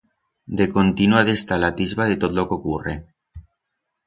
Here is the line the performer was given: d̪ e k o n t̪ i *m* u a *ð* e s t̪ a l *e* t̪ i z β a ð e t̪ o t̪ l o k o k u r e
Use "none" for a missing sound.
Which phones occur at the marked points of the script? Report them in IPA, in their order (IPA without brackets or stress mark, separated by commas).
n, ð, a